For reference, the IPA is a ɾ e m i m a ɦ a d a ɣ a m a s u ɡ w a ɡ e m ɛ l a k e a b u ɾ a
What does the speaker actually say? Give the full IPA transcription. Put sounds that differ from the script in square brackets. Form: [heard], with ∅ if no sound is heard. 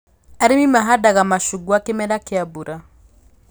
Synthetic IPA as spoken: a ɾ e m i m a ɦ a d a ɣ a m a [ʃ] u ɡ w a [k] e m ɛ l a k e a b u ɾ a